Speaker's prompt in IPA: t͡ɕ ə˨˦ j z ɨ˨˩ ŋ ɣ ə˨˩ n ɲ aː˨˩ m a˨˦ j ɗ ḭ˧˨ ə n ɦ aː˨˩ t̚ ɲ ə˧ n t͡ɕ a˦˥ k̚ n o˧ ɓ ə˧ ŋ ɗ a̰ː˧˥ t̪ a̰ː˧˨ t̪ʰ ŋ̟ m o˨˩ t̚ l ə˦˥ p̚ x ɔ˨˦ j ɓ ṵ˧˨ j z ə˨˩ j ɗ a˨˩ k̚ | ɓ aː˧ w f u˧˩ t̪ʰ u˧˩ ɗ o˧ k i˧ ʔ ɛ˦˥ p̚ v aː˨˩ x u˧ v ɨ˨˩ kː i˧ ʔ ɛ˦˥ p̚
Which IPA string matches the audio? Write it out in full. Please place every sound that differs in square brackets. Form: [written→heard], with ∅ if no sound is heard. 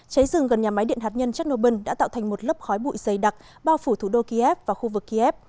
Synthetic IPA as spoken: t͡ɕ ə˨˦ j z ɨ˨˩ ŋ ɣ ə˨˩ n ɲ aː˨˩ m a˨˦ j ɗ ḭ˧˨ ə n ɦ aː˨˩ t̚ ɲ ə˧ n t͡ɕ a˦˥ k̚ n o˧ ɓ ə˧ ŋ ɗ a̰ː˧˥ t̪ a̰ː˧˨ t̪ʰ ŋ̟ m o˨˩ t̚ l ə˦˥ p̚ x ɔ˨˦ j ɓ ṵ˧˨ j z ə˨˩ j ɗ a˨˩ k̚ | ɓ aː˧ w f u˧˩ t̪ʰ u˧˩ ɗ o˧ k i˧ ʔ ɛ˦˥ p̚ v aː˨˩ x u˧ v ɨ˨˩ kː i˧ ʔ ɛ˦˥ p̚